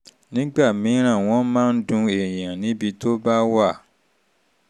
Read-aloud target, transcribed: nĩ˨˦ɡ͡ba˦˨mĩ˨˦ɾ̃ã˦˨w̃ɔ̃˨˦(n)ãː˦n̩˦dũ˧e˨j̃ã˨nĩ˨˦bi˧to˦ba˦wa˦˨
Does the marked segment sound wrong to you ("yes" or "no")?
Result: yes